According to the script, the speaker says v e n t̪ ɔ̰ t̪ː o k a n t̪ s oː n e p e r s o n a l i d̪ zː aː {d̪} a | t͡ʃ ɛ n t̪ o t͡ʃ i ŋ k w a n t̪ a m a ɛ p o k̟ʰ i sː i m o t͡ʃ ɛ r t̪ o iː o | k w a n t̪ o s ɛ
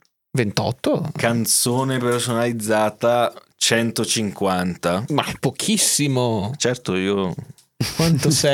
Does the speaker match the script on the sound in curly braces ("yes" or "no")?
no